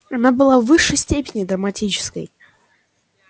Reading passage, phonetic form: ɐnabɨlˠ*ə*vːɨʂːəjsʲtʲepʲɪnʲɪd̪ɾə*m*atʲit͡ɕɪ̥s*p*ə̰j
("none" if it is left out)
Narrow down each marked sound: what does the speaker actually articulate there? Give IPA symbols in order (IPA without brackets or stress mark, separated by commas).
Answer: a, m, k